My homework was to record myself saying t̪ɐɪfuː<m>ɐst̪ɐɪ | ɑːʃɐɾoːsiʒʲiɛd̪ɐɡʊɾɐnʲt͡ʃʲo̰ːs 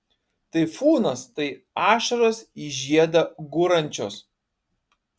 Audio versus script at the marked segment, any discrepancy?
yes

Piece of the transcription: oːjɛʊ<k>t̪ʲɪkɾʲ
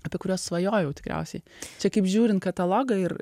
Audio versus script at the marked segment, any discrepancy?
yes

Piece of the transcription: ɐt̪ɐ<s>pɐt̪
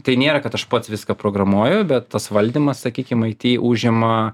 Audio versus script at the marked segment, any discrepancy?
yes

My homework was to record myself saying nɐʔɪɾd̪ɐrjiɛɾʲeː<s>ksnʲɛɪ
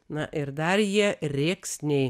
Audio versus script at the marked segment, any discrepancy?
yes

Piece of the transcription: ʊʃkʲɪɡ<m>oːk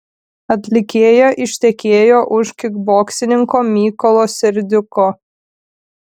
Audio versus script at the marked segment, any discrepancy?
yes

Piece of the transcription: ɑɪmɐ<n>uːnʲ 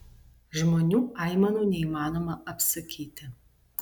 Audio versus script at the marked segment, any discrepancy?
no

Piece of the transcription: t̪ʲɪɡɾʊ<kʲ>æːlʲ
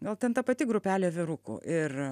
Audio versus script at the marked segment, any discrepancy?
yes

